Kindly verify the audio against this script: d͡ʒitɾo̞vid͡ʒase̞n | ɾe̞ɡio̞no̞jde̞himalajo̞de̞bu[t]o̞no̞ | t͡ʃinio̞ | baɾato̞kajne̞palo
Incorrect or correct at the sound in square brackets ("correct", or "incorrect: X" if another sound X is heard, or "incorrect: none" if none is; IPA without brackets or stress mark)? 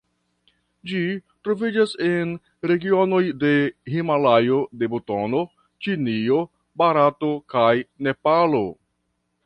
correct